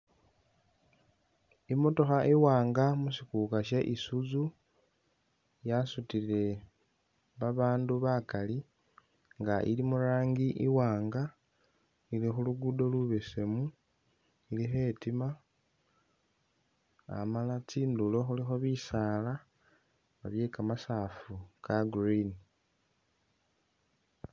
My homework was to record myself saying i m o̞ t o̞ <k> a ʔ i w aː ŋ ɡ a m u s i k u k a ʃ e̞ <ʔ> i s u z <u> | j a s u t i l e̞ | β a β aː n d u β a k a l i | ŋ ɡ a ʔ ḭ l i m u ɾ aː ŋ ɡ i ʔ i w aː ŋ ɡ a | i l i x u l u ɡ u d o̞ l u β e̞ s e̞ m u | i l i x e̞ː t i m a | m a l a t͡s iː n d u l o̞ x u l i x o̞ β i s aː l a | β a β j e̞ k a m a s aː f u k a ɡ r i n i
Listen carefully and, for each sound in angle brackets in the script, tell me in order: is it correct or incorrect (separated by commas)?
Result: incorrect, correct, correct